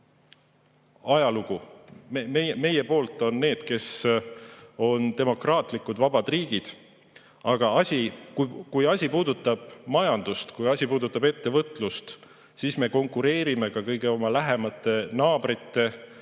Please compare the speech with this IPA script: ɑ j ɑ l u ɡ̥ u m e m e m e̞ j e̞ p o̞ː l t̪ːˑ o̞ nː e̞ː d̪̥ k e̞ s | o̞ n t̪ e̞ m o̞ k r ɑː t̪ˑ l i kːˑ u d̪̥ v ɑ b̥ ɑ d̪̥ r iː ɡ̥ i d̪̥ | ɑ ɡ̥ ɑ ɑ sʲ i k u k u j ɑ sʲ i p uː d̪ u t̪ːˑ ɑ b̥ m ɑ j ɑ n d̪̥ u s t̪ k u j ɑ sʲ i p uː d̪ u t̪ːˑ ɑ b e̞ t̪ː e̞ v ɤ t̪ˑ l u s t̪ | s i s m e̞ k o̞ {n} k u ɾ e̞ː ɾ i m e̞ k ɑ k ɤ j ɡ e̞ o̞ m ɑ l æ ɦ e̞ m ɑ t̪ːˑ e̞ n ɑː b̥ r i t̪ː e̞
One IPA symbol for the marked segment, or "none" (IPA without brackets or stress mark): ŋ